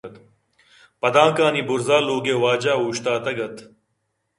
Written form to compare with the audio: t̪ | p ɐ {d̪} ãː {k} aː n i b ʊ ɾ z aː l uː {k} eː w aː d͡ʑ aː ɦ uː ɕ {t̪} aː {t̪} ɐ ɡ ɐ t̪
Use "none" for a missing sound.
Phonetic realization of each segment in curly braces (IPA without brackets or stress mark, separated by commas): d̪, k, ɡ, t̪, t̪